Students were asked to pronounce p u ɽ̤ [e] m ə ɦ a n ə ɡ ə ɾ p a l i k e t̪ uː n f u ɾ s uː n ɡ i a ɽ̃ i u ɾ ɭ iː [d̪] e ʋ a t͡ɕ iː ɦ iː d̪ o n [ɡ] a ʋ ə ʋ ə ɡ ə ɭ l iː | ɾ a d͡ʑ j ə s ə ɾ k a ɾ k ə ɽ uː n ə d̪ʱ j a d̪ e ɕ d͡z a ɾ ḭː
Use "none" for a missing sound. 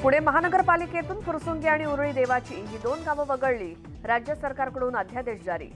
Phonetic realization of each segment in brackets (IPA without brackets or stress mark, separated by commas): e, d̪, ɡ